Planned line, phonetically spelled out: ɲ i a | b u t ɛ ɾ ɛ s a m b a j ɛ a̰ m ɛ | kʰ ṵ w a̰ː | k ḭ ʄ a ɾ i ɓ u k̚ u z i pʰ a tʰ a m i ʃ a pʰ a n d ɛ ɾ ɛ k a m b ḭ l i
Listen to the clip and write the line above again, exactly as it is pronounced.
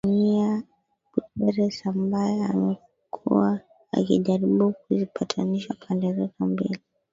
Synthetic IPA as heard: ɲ i a | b u t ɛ ɾ ɛ s a m b a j ɛ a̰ m ɛ | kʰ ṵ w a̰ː | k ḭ ʄ a ɾ i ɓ u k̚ u z i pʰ a tʰ a n i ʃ a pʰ a n d ɛ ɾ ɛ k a m b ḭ l i